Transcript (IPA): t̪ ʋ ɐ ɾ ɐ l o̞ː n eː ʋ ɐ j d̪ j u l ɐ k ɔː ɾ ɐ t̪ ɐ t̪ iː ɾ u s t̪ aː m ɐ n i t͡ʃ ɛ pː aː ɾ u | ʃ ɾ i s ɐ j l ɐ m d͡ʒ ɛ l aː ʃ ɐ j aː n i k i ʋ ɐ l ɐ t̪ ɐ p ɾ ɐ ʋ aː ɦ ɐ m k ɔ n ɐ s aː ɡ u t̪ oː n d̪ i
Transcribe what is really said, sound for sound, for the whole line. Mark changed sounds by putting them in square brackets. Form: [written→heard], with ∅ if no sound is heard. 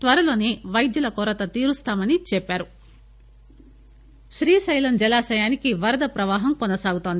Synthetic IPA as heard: t̪ ʋ ɐ ɾ ɐ l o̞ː n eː ʋ ɐ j d̪ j u l ɐ k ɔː ɾ ɐ t̪ ɐ t̪ iː ɾ u s t̪ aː m ɐ n i t͡ʃ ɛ pː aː ɾ u | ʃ ɾ [i→iː] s ɐ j l ɐ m d͡ʒ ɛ l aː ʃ ɐ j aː n i k i ʋ ɐ [l→ɾ] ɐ [t̪→d̪] ɐ p ɾ ɐ ʋ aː ɦ ɐ m k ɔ n ɐ s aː ɡ u t̪ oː n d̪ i